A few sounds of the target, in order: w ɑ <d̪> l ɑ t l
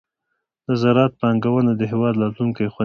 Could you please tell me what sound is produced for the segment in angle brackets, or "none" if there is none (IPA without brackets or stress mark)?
d̪